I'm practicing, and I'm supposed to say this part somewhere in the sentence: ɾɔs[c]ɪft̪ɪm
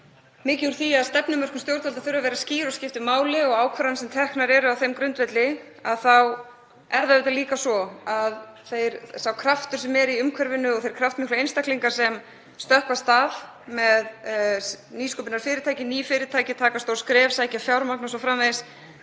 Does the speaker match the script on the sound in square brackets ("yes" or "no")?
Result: yes